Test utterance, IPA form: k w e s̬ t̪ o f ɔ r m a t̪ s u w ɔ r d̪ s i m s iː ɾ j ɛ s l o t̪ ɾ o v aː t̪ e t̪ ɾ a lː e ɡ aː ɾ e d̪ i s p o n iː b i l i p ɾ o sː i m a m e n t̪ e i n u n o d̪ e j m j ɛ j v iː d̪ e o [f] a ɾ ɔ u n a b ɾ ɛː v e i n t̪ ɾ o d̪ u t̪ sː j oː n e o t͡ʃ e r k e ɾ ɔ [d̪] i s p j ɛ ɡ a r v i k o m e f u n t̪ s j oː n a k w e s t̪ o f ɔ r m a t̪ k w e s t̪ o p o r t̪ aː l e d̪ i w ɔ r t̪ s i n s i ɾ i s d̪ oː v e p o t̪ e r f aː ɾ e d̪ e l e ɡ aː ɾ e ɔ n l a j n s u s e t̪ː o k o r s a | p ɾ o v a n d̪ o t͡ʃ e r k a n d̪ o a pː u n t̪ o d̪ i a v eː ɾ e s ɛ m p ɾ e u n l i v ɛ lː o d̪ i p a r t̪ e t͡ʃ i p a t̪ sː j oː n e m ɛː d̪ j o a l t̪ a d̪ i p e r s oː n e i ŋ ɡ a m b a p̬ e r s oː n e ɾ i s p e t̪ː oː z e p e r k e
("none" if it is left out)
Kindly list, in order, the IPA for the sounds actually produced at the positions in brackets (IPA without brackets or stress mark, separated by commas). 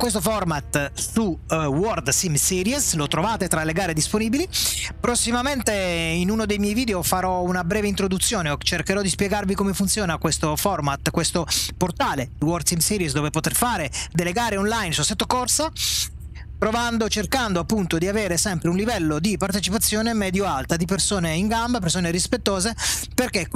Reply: f, d̪